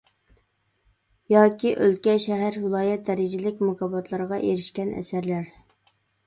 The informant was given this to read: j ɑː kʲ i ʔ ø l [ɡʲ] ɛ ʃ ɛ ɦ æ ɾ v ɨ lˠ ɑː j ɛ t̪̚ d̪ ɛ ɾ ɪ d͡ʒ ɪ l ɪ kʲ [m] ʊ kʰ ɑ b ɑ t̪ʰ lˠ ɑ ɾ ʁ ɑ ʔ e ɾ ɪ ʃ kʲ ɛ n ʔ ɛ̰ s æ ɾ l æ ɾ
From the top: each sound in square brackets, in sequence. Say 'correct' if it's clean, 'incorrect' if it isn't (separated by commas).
incorrect, correct